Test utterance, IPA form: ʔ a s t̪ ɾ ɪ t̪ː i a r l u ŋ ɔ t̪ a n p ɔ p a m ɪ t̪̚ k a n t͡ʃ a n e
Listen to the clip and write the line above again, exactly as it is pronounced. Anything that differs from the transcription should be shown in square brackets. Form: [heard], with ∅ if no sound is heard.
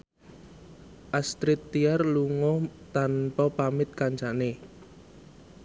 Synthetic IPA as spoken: ʔ a s t̪ ɾ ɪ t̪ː i a r l u ŋ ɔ t̪ a n p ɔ p a m ɪ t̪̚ k a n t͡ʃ a n e